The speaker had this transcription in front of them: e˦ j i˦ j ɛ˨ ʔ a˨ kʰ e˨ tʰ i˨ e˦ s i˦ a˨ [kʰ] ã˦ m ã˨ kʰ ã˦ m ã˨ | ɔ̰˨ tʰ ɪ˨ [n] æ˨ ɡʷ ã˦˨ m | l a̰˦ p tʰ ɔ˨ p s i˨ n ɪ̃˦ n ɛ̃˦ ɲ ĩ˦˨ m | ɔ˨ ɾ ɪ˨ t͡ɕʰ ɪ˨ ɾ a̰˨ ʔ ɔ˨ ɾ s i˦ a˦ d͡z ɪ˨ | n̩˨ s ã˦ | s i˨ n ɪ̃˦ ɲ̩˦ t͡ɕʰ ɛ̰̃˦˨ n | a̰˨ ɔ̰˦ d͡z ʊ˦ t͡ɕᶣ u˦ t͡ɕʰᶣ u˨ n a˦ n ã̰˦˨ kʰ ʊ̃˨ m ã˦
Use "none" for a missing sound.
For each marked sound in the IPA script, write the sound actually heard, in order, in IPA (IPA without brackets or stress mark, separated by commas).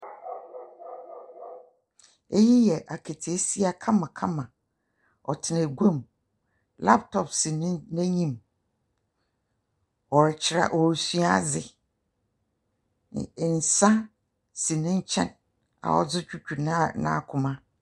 kʰ, n